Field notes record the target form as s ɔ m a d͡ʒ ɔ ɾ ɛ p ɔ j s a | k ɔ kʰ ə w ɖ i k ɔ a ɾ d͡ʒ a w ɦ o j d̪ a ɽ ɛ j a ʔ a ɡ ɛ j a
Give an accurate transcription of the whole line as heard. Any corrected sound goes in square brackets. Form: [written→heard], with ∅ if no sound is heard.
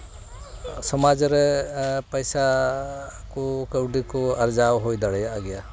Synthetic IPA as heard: s ɔ m a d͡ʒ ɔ ɾ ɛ p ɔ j s a | k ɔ [kʰ→k] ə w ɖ i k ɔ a ɾ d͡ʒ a w ɦ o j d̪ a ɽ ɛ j a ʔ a ɡ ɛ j a